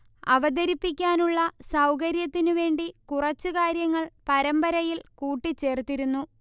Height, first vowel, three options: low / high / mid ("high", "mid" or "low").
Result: low